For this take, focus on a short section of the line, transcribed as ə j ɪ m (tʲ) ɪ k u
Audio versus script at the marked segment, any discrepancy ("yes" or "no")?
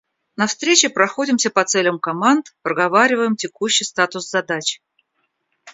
no